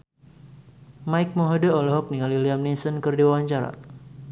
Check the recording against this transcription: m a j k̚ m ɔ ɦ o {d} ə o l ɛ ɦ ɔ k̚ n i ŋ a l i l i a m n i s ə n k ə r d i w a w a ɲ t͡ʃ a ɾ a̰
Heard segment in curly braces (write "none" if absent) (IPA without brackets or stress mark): d